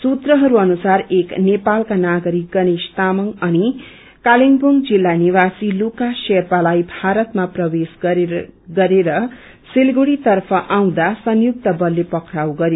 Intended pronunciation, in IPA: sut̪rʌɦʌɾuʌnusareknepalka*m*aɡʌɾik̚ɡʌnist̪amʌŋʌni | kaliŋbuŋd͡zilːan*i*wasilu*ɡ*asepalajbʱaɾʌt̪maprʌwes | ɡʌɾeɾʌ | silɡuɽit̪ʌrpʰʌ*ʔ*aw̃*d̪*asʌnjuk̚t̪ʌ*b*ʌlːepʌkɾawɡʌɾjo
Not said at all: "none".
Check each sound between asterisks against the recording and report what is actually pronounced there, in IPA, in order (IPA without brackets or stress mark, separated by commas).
n, i, k, ʔ, d̪, b